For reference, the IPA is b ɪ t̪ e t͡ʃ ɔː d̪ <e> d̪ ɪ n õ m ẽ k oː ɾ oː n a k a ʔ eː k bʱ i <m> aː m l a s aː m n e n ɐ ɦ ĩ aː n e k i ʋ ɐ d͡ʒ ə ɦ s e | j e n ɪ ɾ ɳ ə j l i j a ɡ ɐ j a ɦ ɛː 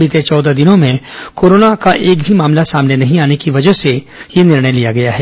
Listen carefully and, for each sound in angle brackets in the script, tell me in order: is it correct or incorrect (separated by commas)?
incorrect, correct